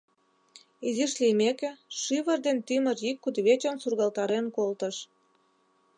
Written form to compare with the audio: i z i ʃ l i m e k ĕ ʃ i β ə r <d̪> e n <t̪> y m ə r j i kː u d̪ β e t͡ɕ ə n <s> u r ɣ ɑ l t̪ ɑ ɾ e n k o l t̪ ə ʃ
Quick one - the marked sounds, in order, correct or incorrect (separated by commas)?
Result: correct, correct, correct